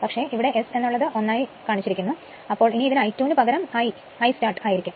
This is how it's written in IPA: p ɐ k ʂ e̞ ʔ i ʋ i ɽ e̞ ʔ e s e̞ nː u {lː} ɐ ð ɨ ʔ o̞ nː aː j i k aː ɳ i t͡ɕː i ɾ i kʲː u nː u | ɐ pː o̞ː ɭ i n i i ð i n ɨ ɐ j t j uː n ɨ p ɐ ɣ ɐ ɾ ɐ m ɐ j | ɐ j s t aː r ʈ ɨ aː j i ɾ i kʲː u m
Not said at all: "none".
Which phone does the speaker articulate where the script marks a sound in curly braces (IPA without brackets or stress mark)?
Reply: ɭː